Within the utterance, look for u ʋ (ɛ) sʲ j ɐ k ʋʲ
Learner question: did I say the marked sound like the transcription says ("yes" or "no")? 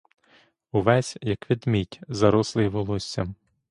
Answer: yes